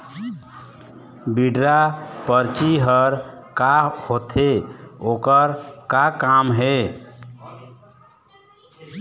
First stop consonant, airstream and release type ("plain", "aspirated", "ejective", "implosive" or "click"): plain